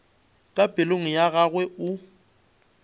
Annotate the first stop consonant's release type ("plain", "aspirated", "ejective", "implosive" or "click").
ejective